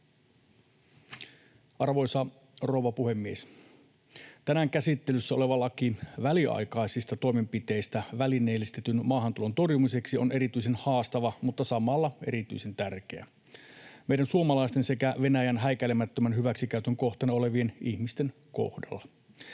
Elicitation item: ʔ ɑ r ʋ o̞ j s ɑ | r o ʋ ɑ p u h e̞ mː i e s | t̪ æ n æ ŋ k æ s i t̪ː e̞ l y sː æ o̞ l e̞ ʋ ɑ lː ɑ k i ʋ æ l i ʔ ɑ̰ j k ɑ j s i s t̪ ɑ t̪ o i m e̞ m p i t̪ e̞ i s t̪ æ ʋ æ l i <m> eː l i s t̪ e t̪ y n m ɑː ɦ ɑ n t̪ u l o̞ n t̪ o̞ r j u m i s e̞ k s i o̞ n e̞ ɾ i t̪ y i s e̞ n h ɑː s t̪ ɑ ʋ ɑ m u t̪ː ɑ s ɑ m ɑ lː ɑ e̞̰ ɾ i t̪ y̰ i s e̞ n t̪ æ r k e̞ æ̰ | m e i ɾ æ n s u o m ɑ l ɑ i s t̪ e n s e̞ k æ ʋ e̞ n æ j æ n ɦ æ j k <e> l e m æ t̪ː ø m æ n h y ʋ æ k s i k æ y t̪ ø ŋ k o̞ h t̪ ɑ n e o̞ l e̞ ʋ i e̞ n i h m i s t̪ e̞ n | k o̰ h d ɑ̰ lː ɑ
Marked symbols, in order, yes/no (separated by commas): no, no